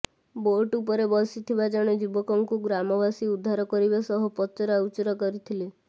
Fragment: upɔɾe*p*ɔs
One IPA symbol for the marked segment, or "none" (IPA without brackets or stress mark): b